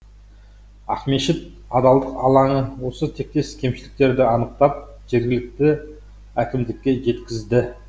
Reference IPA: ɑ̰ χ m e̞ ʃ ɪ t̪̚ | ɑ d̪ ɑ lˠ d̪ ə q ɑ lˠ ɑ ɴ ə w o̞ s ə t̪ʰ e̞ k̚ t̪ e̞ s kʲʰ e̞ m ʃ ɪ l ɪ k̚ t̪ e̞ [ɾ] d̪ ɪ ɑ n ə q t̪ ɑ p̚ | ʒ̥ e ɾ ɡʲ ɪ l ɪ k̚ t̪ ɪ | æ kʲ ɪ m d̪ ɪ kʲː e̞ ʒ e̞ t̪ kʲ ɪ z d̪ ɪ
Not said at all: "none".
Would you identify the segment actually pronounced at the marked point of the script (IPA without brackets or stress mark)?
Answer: ɾ